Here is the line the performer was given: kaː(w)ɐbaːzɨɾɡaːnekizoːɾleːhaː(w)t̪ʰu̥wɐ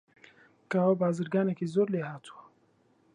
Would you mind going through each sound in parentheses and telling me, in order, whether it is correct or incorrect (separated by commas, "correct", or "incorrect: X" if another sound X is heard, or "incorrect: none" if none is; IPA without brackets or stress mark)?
correct, incorrect: none